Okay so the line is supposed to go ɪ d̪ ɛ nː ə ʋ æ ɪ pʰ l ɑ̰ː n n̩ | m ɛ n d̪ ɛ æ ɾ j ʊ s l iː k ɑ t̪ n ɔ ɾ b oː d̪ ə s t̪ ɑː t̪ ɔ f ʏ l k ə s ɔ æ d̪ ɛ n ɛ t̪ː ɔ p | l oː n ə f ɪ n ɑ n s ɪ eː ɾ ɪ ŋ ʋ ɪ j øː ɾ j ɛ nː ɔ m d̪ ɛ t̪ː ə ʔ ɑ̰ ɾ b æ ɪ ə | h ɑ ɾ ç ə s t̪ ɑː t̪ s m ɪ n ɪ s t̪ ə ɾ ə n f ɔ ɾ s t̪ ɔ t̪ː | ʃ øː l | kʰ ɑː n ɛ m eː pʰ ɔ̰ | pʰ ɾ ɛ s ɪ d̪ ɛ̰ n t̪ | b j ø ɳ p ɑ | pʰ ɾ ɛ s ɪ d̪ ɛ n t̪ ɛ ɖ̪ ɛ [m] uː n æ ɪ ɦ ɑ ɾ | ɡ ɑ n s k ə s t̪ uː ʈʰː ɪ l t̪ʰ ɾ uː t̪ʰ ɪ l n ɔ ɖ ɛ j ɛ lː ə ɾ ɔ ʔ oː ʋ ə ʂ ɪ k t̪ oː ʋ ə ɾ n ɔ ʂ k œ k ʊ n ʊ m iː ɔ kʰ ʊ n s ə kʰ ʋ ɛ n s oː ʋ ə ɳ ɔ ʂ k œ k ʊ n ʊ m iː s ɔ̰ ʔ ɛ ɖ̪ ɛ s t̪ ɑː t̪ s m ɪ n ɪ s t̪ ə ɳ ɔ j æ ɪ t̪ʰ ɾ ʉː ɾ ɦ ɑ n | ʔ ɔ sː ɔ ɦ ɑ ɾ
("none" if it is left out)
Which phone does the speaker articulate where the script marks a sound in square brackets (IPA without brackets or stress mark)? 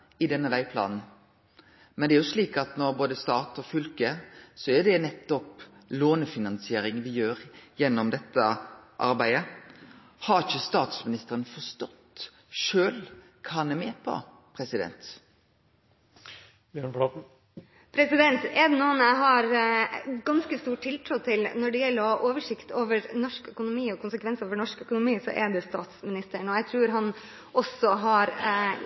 n